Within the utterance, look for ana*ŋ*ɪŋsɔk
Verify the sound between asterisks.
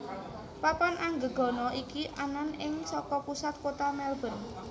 incorrect: n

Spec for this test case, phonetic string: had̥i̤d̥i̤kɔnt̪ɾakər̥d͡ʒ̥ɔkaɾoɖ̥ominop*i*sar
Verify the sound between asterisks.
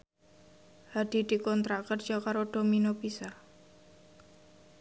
correct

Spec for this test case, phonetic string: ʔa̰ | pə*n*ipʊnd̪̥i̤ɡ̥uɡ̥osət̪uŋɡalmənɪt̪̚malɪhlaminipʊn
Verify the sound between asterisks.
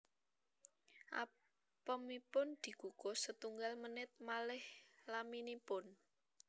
incorrect: m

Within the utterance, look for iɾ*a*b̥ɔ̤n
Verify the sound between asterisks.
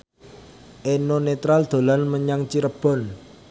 incorrect: ə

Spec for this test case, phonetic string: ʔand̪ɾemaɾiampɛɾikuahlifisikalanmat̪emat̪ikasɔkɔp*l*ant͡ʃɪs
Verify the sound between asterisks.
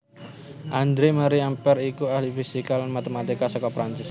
incorrect: ɾ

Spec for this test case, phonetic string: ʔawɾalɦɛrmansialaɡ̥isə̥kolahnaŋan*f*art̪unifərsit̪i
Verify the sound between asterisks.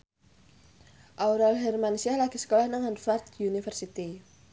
correct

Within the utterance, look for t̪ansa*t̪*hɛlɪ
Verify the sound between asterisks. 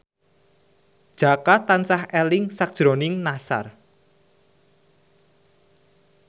incorrect: none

